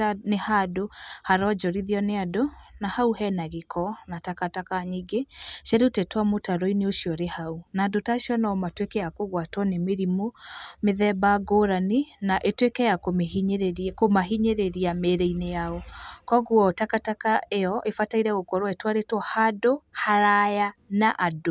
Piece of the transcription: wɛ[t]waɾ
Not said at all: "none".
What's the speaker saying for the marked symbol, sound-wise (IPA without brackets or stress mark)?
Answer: t